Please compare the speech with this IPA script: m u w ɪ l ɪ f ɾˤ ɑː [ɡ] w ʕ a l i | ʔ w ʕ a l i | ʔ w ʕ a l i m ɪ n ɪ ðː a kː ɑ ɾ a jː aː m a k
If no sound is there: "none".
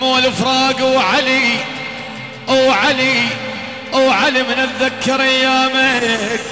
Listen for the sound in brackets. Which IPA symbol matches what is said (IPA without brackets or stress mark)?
ɡ